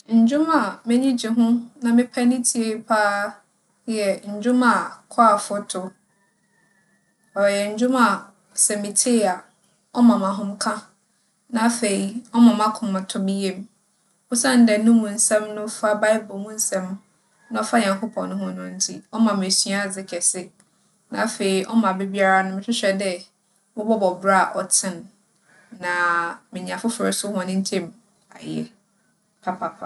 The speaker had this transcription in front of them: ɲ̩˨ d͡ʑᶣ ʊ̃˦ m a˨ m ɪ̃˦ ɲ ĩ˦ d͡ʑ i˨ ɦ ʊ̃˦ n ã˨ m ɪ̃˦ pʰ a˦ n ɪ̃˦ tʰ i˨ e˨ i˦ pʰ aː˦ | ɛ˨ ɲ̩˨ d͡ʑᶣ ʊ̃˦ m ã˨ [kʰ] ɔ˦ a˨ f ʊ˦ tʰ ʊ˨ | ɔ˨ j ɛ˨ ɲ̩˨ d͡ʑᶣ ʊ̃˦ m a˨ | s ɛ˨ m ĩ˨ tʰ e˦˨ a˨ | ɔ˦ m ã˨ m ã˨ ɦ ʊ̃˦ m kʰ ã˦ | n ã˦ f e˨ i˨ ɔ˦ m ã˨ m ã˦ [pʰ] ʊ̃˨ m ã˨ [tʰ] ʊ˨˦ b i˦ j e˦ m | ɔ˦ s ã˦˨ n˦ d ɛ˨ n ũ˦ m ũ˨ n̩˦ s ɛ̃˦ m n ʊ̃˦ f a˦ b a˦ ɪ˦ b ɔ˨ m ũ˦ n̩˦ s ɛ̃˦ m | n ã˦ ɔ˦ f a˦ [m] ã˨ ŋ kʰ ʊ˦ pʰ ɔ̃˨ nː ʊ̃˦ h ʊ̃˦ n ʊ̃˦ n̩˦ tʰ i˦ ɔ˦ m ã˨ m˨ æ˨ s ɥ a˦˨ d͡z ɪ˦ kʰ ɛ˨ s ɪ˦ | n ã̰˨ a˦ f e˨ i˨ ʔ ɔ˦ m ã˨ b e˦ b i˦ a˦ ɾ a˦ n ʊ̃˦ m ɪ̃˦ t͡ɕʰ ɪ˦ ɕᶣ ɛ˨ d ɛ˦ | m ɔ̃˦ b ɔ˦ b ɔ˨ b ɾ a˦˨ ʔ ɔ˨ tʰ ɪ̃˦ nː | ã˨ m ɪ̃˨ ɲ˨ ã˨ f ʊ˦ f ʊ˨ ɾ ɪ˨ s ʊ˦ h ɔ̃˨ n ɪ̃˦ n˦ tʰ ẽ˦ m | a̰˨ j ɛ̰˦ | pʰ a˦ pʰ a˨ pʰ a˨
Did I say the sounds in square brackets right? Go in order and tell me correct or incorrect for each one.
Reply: correct, incorrect: kʰ, correct, incorrect: ɲ

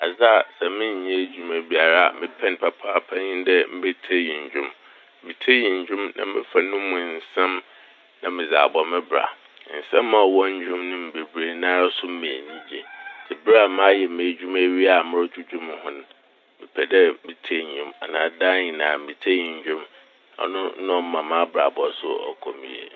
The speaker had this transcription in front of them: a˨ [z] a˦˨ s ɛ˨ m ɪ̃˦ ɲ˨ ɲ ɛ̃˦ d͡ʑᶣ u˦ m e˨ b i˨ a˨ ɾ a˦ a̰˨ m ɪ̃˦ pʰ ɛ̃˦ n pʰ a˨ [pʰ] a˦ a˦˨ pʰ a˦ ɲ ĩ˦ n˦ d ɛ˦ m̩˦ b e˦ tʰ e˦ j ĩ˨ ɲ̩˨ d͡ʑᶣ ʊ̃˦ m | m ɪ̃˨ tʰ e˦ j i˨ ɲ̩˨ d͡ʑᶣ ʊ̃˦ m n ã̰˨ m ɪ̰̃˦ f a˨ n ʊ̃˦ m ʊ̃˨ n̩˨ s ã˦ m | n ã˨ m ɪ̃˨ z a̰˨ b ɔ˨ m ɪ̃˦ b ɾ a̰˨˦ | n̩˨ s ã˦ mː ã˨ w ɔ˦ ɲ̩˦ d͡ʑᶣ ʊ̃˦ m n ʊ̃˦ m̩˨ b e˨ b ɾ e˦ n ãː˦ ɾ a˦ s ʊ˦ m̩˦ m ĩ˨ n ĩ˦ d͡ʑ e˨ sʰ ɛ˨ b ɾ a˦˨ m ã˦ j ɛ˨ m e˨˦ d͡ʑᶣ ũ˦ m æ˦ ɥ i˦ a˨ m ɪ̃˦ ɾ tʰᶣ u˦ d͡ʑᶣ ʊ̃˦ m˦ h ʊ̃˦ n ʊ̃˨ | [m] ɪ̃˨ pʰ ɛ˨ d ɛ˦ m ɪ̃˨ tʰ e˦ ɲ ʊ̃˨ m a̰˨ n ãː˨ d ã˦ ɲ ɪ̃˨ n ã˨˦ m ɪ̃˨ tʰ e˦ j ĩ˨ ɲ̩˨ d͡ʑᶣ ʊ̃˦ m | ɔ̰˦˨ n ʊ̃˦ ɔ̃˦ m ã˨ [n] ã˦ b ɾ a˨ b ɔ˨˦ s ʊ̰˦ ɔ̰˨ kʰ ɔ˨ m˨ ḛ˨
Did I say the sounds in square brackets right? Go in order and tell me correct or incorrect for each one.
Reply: correct, correct, correct, incorrect: m

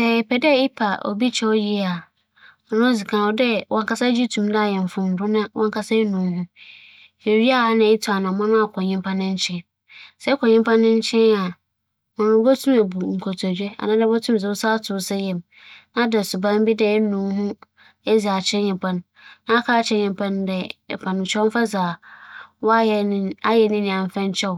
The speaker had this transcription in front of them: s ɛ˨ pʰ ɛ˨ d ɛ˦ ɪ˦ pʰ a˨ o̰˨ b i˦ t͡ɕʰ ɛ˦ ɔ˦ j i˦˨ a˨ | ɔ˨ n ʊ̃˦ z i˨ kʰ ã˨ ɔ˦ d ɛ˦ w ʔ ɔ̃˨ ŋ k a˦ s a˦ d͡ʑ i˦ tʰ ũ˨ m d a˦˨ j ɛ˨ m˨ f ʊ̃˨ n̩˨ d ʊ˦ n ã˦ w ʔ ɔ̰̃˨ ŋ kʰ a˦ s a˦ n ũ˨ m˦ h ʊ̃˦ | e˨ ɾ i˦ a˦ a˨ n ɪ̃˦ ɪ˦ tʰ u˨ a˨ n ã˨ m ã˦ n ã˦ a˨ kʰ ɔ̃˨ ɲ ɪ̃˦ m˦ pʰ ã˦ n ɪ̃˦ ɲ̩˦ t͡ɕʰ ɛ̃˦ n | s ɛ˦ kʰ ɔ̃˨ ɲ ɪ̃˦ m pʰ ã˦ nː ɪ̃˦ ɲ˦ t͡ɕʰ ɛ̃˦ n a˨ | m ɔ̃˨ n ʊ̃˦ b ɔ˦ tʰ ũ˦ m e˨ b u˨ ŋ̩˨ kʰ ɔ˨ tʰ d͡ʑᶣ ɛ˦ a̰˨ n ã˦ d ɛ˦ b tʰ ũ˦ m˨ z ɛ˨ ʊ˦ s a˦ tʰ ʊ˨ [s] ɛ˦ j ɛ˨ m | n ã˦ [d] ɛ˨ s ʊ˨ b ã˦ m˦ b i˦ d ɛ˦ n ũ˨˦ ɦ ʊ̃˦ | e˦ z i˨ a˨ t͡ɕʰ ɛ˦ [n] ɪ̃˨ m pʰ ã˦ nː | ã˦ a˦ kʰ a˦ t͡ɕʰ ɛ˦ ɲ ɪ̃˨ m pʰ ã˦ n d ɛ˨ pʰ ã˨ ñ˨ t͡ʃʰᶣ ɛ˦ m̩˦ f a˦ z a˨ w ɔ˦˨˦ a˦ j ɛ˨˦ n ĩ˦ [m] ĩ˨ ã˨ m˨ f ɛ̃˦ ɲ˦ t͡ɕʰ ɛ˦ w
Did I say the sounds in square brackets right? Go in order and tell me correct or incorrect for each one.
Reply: correct, correct, incorrect: ɲ, incorrect: n

